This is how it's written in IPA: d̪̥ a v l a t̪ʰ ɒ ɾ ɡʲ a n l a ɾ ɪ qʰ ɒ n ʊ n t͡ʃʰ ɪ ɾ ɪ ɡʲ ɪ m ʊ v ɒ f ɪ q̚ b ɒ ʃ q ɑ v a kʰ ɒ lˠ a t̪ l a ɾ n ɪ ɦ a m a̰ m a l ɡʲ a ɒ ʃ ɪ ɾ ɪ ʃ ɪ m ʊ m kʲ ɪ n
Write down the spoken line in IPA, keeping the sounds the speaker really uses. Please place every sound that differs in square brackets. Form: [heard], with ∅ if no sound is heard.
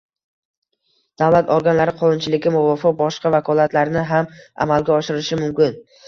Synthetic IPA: d̪̥ a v l a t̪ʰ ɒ ɾ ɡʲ a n l a ɾ ɪ qʰ ɒ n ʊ n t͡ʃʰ ɪ [l] ɪ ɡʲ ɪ m ʊ v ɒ f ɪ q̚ b ɒ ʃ q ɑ v a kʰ ɒ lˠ a t̪ l a ɾ n ɪ ɦ a m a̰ m a l ɡʲ a ɒ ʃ ɪ ɾ ɪ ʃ ɪ m ʊ m kʲ ɪ n